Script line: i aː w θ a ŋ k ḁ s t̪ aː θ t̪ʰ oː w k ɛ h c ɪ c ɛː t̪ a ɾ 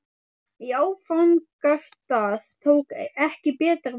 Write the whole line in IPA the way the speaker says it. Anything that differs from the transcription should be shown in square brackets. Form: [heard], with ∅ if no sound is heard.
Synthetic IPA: i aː w [f] a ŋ k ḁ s t̪ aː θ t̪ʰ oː w k ɛ h c ɪ [p] ɛː t̪ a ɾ